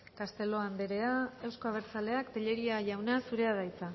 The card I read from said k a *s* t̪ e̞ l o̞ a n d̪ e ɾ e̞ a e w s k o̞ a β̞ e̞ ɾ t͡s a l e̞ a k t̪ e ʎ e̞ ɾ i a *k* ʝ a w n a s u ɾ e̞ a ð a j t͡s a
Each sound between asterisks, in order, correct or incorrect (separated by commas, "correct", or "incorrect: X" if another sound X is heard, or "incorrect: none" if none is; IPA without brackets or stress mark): correct, incorrect: none